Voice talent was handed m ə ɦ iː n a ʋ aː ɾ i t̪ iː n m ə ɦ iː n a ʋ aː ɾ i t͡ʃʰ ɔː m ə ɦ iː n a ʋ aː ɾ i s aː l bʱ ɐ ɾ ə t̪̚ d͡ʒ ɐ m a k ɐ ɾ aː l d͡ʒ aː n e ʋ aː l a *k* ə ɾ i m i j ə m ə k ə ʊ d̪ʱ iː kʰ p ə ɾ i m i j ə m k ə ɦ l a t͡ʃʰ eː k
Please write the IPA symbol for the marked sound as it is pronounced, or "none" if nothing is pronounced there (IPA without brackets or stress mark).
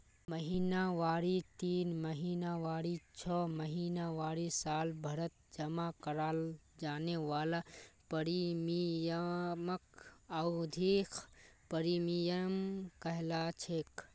p